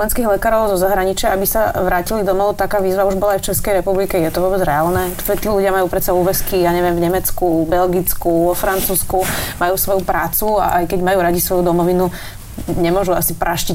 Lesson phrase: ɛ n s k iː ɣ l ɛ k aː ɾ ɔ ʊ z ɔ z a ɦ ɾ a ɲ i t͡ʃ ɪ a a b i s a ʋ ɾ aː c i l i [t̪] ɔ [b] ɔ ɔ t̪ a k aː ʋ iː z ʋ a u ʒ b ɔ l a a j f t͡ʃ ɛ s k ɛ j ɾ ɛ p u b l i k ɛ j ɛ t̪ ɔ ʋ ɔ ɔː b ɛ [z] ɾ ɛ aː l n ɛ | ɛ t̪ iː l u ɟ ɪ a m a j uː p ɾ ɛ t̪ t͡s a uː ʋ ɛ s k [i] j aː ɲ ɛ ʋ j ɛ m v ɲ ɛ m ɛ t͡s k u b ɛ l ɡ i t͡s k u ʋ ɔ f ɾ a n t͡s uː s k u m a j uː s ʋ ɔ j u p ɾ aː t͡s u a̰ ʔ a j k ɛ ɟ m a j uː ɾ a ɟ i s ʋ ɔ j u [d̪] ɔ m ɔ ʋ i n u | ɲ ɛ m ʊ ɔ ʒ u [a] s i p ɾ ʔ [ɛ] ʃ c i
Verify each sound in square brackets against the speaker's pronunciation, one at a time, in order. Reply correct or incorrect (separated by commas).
incorrect, incorrect, incorrect, correct, correct, correct, incorrect